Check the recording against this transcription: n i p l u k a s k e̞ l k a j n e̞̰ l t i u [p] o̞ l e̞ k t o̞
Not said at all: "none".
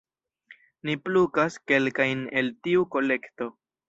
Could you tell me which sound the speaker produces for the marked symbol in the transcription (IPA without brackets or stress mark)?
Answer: k